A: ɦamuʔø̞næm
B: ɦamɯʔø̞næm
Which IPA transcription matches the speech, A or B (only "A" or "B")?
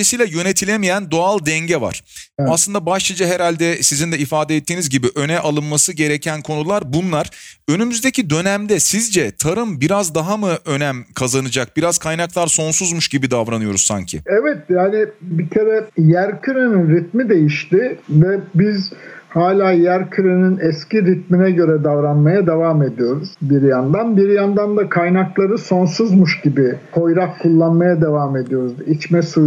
B